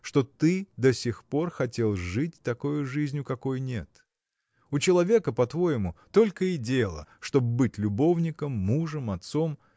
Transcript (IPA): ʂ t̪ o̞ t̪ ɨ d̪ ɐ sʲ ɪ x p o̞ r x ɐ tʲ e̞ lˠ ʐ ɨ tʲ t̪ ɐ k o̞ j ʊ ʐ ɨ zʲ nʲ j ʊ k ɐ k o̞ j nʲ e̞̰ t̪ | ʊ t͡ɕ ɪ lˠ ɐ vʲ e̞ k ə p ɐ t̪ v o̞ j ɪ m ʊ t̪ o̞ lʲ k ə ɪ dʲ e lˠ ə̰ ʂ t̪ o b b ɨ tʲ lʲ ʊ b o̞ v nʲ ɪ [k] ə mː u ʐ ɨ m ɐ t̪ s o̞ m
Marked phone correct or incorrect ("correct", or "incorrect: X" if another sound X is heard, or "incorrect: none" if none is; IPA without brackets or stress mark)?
correct